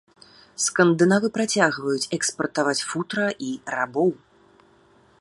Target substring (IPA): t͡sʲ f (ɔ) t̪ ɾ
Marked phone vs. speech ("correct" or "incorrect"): incorrect